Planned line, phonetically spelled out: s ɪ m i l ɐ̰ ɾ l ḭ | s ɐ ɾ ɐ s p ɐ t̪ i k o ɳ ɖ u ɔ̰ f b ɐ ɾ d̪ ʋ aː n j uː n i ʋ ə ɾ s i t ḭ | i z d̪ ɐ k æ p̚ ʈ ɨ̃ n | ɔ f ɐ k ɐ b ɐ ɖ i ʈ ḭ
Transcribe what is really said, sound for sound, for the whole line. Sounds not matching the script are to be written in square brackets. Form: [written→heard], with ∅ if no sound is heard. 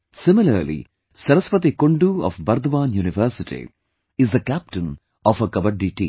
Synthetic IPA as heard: s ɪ m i l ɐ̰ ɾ l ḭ | s ɐ ɾ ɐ s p ɐ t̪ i k o ɳ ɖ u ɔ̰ f b ɐ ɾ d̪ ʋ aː n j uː n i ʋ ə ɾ s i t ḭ | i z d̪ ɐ k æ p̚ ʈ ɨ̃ n | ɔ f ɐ k ɐ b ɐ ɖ i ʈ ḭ